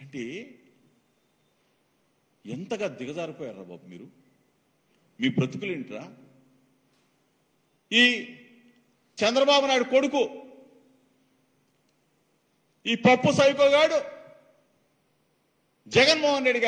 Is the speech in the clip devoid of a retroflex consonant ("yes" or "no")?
no